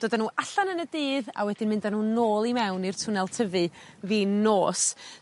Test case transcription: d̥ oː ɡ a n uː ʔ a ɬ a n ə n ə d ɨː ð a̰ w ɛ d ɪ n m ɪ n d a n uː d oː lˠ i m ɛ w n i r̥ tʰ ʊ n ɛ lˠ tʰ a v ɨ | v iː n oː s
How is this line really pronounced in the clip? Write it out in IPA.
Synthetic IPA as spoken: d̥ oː d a n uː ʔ a ɬ a n ə n ə d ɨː ð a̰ w ɛ d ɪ n m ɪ n d a n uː n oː lˠ i m ɛ w n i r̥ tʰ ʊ n ɛ lˠ tʰ ə v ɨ | v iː n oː s